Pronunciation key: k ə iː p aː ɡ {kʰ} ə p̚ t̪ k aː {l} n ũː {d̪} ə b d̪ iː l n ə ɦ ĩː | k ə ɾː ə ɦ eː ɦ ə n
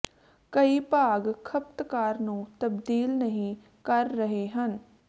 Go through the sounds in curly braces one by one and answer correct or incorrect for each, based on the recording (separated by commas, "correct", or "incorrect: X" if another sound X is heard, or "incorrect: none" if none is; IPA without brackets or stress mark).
correct, incorrect: ɾ, incorrect: t̪